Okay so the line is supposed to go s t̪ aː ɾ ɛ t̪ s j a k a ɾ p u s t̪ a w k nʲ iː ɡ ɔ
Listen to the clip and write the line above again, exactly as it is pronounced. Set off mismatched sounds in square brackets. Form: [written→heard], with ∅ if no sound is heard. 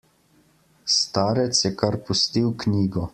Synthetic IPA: s t̪ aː ɾ ɛ t̪ s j [a→ɛ] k a ɾ p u s t̪ [a→i] w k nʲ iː ɡ ɔ